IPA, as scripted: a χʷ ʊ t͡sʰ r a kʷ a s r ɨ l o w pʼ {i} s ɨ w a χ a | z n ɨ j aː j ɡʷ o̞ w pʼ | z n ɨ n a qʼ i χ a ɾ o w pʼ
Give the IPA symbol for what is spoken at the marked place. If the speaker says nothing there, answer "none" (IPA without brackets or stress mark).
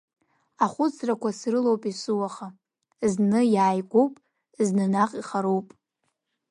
i